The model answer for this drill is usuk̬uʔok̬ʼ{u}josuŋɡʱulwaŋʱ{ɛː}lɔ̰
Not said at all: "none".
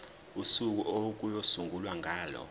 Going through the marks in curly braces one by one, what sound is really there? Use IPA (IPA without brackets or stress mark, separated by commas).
u, aː